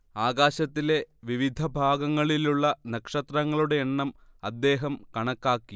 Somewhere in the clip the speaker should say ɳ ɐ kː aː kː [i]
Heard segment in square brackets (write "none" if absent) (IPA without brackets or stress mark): i